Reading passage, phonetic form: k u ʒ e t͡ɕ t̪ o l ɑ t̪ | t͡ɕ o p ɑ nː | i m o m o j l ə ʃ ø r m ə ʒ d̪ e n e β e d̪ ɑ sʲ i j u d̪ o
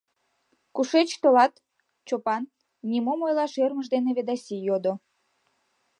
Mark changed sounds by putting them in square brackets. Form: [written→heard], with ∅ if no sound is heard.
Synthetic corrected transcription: k u [ʒ→ʃ] e t͡ɕ t̪ o l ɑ t̪ | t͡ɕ o p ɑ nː | i m o m o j l [ə→ɑ] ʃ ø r m ə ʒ d̪ e n e β e d̪ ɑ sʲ i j [u→o] d̪ o